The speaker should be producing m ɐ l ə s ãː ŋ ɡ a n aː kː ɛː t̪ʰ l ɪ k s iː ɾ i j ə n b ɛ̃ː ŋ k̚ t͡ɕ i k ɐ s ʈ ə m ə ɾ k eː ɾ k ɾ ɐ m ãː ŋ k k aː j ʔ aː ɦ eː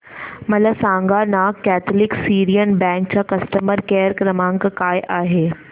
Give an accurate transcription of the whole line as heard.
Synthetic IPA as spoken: m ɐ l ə s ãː ŋ ɡ a n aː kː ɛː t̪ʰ l ɪ k s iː ɾ i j ə n b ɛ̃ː ŋ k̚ t͡ɕ a k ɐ s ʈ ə m ə ɾ k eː ɾ k ɾ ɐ m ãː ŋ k k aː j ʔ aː ɦ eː